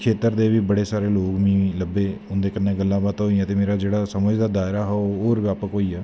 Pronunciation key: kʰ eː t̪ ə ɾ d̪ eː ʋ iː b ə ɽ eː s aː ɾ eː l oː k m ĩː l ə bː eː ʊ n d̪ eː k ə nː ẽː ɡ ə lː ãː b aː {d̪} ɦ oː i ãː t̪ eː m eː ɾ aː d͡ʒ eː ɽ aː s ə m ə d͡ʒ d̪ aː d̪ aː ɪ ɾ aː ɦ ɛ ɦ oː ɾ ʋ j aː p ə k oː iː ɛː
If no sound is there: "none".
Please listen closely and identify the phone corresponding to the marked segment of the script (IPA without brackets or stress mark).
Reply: t̪